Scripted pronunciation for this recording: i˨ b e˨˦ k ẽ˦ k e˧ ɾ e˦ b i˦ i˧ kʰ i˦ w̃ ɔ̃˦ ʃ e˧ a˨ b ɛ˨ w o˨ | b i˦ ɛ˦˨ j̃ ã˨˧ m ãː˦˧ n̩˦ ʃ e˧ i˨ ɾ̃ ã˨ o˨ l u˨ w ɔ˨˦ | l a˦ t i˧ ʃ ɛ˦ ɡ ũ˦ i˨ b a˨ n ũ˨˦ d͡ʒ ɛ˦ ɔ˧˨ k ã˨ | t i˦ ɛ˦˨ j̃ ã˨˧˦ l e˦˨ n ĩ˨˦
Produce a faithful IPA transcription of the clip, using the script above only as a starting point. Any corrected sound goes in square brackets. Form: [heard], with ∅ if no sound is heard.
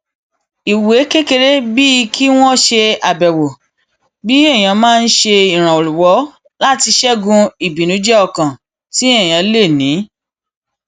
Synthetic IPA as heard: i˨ [w] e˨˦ k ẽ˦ k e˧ ɾ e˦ b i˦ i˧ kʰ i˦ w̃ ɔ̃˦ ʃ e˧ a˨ b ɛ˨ w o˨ | b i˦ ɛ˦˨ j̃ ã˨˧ m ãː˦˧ n̩˦ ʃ e˧ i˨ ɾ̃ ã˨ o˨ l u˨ w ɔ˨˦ | l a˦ t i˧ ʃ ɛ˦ ɡ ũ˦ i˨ b [i˨] n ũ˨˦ d͡ʒ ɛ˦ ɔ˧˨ k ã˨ | t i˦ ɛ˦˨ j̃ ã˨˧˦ l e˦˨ n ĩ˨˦